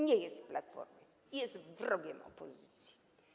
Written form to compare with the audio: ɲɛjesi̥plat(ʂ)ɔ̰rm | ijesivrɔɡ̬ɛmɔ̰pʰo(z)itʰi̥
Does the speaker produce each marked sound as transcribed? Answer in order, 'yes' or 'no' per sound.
no, yes

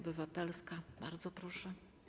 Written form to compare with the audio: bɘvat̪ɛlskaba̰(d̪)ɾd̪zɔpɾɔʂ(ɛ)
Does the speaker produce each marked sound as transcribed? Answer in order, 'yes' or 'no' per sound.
no, yes

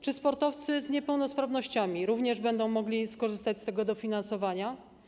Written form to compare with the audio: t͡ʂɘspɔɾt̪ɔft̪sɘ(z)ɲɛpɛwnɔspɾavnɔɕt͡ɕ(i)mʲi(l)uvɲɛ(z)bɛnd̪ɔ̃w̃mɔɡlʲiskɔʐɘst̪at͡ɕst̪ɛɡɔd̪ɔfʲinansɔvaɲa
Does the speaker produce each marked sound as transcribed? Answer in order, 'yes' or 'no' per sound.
yes, no, no, no

